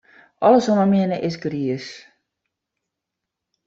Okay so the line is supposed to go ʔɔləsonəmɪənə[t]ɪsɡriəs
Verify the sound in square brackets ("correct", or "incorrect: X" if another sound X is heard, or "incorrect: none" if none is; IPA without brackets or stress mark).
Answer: incorrect: ʔ